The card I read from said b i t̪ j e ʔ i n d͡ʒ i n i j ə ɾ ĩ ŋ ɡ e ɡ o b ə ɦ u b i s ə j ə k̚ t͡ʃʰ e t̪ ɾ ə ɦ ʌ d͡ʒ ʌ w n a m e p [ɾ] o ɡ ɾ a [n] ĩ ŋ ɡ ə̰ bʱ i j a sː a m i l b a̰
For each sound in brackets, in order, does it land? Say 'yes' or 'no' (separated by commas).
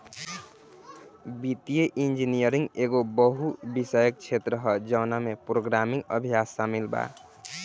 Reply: yes, no